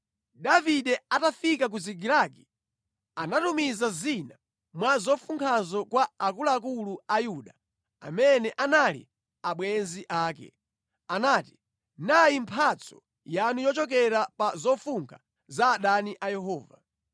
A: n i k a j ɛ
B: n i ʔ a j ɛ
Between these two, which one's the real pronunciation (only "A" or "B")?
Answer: B